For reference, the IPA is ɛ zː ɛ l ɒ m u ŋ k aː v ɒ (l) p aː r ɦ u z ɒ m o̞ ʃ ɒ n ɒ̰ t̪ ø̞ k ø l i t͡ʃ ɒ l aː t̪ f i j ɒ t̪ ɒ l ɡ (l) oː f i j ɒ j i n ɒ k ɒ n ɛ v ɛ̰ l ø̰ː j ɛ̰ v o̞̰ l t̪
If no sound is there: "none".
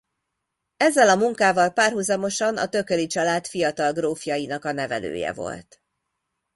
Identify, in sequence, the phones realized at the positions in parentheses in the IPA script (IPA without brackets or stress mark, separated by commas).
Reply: l, r